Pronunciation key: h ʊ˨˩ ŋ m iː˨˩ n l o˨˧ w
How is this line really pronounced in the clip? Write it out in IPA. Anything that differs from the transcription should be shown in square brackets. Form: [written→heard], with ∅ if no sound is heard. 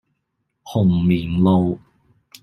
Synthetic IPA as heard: h ʊ˨˩ ŋ m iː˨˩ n l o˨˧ w